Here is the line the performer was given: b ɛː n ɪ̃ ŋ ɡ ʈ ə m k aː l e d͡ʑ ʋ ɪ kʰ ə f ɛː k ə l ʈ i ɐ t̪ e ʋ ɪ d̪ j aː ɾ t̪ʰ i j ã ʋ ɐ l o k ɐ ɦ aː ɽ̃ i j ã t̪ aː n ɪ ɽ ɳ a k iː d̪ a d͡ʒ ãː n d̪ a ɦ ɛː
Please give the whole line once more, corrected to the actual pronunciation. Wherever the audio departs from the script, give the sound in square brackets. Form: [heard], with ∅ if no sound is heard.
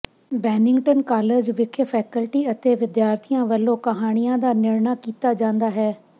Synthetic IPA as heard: b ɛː n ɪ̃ ŋ ɡ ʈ ə [n] k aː l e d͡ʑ ʋ ɪ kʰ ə f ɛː k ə l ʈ i ɐ t̪ e ʋ ɪ d̪ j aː ɾ t̪ʰ i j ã ʋ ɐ l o k ɐ ɦ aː ɽ̃ i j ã [d̪] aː n ɪ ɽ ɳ a k iː [t̪] a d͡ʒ ãː n d̪ a ɦ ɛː